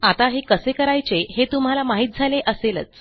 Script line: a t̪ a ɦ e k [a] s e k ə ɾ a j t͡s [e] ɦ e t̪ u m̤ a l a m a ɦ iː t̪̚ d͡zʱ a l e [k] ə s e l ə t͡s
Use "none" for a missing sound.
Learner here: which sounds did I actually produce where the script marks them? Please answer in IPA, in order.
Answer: ə, e, ʔ

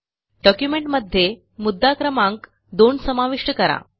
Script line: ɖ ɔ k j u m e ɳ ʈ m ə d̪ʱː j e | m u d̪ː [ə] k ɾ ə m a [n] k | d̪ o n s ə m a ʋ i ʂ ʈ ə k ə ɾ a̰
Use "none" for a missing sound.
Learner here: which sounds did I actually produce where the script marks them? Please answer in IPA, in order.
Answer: a, ŋ

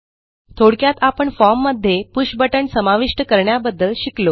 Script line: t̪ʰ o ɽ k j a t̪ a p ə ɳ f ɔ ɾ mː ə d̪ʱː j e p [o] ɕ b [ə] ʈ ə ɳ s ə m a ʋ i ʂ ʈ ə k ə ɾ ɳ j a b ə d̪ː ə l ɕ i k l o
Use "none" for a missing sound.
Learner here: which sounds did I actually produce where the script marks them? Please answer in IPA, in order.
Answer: u, ə

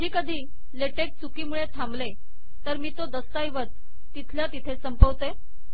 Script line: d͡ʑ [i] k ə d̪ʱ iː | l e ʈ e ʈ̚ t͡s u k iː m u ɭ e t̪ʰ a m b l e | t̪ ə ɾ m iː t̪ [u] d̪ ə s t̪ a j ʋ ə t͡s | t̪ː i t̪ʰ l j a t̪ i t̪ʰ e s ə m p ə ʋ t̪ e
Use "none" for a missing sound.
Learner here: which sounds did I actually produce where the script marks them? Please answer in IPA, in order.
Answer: iː, o

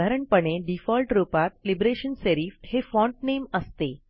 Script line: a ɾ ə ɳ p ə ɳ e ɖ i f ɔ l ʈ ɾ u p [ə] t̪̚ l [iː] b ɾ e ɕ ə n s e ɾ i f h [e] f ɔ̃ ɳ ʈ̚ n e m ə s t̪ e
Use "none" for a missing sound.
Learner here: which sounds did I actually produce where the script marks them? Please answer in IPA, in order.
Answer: a, i, e

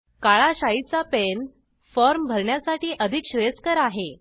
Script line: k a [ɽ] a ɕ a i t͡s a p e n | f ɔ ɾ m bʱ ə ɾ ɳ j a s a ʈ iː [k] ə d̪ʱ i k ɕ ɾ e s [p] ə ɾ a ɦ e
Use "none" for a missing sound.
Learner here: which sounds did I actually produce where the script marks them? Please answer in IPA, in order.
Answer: ɭ, ʔ, k

